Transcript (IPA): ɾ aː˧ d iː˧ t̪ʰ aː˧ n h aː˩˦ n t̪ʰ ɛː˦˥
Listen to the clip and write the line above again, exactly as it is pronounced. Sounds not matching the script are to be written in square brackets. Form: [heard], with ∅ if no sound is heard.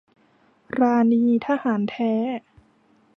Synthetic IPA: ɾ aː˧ [n] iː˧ t̪ʰ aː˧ [∅] h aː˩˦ n t̪ʰ ɛː˦˥